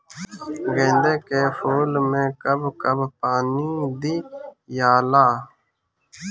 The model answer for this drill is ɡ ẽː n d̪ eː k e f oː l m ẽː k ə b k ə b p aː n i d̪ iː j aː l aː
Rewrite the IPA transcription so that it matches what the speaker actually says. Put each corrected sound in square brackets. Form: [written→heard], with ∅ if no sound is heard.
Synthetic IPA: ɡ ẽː n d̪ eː k e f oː l m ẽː k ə b k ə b p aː n i d̪ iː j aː l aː